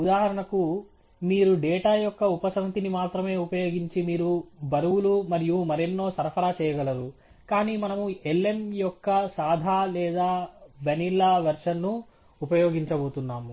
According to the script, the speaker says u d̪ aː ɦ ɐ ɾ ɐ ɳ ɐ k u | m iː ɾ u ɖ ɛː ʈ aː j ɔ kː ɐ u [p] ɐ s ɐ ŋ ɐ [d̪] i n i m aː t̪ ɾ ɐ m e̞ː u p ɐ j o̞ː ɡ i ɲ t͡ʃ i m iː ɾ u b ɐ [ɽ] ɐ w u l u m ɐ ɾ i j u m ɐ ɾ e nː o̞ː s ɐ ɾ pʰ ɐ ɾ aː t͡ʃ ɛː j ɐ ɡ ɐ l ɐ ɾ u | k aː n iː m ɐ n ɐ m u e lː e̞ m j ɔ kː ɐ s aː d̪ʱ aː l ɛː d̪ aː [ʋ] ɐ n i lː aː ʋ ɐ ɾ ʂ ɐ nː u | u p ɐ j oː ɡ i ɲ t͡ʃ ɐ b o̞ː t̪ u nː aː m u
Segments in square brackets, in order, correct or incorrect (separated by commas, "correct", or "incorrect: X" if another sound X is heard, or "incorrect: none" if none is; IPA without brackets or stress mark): correct, incorrect: t̪, incorrect: ɾ, correct